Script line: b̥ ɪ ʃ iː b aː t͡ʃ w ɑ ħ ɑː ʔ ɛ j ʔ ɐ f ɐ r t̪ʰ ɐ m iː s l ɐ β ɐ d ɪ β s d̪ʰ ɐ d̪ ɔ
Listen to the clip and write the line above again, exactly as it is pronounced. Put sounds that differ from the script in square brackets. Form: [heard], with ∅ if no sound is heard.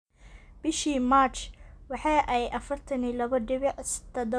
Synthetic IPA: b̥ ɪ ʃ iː [m] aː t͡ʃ w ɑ ħ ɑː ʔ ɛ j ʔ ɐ f ɐ r t̪ʰ ɐ [n] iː [∅] l ɐ β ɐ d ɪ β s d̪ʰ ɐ d̪ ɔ